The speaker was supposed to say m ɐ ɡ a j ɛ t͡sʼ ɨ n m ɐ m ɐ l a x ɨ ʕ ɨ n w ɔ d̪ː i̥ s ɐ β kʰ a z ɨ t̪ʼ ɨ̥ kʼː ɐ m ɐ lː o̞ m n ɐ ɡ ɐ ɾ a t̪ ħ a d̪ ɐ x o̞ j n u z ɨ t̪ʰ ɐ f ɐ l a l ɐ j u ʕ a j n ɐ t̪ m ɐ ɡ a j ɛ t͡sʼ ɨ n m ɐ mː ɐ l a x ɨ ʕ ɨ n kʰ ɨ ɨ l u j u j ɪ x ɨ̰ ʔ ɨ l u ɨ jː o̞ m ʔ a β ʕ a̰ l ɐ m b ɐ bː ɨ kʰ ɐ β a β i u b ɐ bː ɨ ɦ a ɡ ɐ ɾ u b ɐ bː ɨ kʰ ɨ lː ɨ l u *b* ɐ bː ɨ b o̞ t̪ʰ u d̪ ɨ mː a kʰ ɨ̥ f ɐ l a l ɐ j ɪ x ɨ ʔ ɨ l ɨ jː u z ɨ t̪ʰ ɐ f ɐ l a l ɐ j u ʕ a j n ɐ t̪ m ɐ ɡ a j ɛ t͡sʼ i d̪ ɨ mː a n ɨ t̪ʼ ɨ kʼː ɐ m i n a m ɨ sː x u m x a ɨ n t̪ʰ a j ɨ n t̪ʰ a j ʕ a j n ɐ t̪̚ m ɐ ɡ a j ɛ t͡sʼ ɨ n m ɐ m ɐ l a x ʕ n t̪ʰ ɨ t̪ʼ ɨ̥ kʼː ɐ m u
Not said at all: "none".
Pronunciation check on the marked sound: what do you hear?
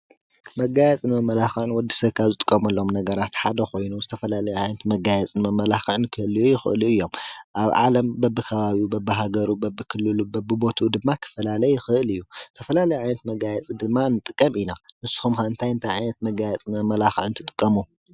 b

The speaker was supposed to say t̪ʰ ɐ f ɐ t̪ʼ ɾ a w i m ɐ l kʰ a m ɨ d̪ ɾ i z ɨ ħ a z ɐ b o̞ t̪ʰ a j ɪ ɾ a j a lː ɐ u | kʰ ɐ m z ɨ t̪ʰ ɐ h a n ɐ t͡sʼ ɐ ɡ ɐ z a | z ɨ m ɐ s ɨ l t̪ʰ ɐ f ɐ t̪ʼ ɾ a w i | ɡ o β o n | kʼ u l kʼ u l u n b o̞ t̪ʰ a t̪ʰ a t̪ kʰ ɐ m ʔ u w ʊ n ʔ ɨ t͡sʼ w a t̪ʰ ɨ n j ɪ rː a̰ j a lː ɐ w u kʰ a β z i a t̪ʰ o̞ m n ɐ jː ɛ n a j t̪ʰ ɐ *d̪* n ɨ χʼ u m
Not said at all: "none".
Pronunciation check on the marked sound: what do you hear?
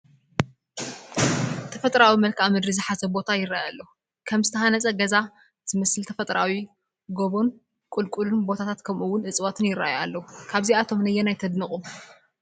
d̪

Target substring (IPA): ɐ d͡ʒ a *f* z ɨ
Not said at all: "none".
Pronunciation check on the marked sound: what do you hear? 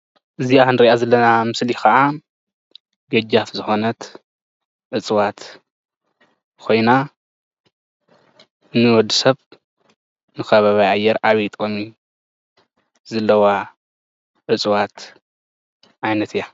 f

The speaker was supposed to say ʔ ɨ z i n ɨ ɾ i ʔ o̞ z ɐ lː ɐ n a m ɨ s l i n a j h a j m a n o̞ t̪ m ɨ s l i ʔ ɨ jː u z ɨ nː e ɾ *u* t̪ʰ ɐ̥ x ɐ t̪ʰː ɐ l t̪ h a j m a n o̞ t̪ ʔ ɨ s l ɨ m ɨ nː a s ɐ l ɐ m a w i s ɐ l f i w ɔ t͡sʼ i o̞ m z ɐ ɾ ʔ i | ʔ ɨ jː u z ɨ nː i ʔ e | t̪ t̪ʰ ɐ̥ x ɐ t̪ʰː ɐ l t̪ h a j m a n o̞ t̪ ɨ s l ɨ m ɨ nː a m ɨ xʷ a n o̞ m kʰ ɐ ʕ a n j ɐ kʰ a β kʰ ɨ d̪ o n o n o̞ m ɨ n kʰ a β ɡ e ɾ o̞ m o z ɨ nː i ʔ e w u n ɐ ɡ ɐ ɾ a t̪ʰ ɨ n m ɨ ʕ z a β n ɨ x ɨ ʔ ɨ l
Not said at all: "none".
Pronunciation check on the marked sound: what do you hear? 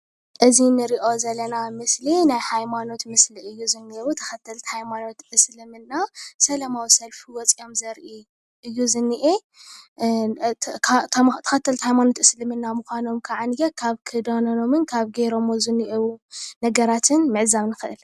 u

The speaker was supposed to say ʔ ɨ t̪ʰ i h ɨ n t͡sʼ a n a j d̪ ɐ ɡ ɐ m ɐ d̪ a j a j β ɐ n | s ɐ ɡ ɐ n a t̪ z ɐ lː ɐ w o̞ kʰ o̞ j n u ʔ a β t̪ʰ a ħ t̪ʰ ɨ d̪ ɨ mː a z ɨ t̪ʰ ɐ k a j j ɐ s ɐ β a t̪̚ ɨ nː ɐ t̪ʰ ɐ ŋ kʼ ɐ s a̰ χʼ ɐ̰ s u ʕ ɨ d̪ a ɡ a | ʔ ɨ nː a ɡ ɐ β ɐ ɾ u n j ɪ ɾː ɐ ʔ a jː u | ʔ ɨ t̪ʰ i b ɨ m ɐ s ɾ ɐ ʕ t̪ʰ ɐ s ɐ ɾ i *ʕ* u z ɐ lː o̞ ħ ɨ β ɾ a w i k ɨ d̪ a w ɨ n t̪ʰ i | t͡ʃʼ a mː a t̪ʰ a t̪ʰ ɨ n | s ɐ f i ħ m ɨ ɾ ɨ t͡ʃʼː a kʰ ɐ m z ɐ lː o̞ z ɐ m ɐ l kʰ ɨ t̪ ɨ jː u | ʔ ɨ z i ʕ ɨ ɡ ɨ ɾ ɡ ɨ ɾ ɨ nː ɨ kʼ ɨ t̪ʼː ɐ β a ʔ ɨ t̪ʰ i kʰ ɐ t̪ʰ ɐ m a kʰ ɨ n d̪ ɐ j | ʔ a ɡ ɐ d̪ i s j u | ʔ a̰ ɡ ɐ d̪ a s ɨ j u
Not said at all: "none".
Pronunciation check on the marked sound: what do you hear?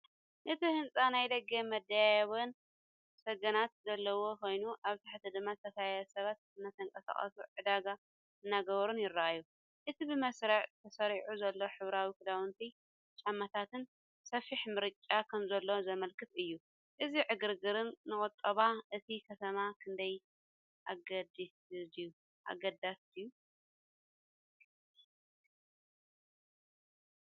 ʕ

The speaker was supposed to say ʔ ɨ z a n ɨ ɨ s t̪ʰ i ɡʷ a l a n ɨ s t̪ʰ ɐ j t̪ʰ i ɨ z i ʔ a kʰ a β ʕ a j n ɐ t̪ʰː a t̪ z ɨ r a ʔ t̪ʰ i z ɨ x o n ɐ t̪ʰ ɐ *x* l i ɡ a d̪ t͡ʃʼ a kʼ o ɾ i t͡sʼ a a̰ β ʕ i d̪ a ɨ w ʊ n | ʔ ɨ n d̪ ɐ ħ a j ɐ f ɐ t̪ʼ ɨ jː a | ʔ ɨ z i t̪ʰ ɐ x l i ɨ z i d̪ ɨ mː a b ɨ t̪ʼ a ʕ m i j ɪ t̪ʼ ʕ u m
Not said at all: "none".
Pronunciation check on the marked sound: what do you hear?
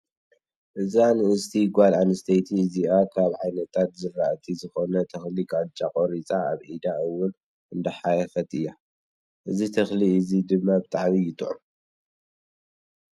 x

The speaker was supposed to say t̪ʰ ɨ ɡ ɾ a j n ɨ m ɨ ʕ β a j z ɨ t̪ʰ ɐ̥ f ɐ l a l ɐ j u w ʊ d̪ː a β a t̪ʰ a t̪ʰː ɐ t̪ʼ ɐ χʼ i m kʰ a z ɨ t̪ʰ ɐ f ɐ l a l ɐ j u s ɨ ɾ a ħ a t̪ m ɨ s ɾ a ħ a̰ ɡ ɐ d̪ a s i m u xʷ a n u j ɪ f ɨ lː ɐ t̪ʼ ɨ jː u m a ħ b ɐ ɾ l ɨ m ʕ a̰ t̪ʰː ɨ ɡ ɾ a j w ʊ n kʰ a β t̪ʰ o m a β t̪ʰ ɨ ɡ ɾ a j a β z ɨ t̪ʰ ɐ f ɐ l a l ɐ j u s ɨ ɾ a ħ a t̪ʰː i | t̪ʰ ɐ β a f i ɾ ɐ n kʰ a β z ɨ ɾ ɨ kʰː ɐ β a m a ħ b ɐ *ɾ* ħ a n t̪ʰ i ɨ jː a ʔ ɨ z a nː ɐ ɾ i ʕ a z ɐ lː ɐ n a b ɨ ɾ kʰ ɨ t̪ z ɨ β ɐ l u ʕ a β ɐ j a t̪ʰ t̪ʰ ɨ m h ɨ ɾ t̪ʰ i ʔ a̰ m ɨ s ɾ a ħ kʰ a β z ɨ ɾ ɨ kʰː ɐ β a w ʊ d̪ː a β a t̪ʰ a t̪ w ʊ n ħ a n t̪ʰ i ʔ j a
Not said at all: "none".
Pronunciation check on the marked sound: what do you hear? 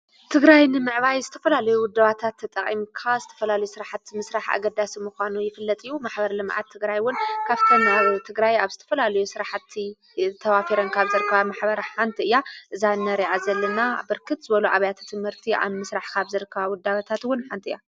ɾ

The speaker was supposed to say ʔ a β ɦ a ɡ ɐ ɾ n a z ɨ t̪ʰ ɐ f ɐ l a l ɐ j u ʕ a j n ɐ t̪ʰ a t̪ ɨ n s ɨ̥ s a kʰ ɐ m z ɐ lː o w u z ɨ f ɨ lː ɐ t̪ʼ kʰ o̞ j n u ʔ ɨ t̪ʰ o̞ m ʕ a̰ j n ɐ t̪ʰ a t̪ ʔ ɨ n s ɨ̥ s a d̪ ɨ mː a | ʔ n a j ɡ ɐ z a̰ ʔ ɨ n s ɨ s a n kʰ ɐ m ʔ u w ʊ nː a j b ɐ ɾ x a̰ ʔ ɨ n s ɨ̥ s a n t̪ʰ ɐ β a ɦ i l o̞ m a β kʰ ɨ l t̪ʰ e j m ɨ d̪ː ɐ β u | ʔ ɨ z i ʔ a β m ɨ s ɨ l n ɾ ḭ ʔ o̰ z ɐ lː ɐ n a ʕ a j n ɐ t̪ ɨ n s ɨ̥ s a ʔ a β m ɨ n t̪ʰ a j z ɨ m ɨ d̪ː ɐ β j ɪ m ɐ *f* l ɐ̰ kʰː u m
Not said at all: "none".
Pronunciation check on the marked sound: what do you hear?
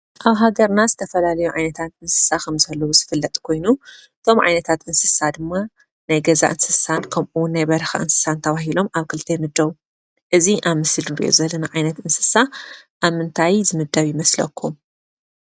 s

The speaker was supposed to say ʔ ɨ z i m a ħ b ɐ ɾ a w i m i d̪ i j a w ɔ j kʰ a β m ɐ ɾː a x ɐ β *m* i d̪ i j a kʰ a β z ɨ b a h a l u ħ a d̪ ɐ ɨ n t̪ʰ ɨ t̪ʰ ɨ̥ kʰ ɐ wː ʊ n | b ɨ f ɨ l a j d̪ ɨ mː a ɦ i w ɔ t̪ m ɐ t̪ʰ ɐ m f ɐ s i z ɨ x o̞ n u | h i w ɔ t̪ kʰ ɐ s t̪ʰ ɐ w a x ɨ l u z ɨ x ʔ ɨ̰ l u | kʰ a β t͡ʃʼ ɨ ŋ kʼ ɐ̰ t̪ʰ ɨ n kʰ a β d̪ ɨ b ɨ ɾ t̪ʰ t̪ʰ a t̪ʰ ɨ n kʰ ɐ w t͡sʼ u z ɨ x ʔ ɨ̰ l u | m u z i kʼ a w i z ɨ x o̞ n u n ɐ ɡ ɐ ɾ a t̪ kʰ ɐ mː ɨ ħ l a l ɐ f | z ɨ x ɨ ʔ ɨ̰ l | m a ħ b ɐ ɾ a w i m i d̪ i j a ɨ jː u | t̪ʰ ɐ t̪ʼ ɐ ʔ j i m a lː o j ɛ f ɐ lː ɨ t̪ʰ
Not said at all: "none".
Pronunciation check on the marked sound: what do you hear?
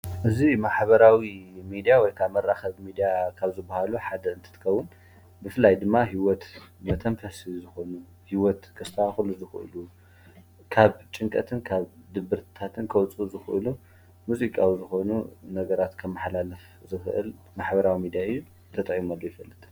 m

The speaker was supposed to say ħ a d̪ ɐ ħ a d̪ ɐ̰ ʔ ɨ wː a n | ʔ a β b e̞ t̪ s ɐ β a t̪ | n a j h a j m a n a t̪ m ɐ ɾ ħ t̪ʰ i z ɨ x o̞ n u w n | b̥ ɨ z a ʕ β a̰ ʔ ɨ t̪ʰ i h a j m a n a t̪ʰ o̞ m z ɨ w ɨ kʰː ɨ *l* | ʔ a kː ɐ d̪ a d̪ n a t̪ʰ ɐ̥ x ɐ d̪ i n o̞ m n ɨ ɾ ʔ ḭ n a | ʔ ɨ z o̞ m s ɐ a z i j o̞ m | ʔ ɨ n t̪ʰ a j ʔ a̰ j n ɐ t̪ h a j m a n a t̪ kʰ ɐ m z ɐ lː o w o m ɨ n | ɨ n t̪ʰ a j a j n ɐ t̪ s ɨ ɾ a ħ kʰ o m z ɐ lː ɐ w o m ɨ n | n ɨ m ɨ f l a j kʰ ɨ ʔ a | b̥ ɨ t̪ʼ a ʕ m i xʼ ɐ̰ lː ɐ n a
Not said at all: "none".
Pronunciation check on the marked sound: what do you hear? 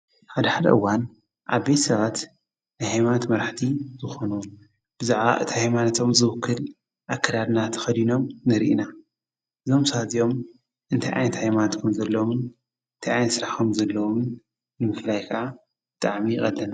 l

